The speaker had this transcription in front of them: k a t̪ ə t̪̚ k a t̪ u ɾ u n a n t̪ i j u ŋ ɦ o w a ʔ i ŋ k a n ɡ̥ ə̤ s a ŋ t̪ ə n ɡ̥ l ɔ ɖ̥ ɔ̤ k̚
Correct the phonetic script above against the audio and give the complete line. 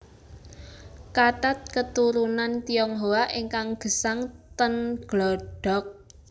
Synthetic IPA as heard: k a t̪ a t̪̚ k ə t̪ u ɾ u n a n t̪ i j ɔ ŋ ɦ o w a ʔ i ŋ k a ŋ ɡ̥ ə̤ s a ŋ t̪ ə n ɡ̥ l ɔ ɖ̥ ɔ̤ k̚